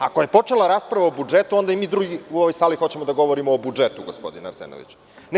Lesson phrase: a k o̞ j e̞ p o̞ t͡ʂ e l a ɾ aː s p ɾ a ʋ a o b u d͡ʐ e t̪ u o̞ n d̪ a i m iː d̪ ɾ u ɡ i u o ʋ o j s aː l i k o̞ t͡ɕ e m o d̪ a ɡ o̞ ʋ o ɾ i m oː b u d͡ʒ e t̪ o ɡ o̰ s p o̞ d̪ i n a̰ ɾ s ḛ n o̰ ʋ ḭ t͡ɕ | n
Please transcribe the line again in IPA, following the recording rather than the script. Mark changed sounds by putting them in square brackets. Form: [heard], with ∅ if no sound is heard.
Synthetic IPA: a k o̞ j e̞ p o̞ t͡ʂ e l a ɾ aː s p ɾ a ʋ a o b u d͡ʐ e t̪ u o̞ n d̪ a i m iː d̪ ɾ u ɡ i u o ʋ o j s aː l i [x] o̞ t͡ɕ e m o d̪ a ɡ o̞ ʋ o ɾ i m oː b u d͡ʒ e t̪ [u] ɡ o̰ s p o̞ d̪ i n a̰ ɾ s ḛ n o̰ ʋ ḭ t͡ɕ | n